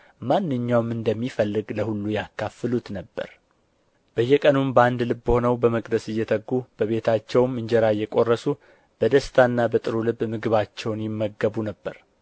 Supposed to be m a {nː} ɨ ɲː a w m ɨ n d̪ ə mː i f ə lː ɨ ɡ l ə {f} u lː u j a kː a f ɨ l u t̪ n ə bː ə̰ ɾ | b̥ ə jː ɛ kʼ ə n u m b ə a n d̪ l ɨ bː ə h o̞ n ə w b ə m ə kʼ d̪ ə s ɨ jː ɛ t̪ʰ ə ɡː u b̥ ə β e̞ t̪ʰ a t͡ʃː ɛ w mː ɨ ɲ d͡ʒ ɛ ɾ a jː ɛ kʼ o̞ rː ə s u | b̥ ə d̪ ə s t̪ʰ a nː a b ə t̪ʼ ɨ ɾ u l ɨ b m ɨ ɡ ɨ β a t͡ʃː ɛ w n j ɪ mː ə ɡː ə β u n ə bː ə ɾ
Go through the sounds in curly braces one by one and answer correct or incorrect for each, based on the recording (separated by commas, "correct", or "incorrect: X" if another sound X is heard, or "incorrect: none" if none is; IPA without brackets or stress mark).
correct, incorrect: h